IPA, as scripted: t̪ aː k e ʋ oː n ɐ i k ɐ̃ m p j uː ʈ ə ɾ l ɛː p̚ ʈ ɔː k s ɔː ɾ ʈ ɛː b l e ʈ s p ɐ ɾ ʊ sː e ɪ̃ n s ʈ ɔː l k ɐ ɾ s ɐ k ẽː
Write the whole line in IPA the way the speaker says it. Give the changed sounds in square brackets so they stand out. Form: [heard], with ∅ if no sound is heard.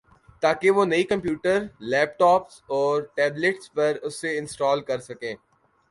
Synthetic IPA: t̪ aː k e ʋ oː n ɐ i k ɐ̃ m p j uː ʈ ə ɾ l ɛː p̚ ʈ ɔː [p] s ɔː ɾ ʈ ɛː b l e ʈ s p ɐ ɾ ʊ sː e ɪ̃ n s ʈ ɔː l k ɐ ɾ s ɐ k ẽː